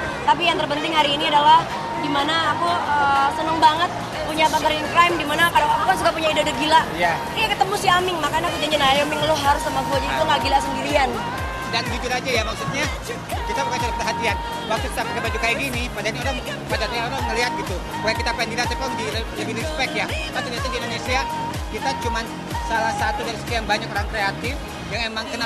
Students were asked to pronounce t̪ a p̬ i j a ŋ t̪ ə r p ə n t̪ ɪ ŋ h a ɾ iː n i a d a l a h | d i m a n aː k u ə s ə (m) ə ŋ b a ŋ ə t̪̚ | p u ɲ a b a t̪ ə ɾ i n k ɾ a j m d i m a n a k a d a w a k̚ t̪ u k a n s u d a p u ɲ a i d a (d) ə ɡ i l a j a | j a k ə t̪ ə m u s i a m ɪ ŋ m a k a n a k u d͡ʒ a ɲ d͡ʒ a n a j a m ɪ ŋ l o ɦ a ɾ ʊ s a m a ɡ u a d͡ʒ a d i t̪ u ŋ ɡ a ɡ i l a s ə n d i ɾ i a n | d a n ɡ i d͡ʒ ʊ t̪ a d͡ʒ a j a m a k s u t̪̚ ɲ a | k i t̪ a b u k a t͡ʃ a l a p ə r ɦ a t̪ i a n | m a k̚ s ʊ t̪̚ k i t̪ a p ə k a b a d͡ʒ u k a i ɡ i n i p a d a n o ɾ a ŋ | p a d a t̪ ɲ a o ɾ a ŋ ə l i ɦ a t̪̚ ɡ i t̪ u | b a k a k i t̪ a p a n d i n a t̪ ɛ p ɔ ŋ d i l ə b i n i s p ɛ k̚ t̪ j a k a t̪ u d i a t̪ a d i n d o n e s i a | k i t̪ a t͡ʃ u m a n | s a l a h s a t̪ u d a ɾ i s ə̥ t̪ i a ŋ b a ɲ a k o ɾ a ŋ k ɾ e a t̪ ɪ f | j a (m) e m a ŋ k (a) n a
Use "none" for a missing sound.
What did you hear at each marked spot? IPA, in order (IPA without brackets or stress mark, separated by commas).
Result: n, d, ŋ, ə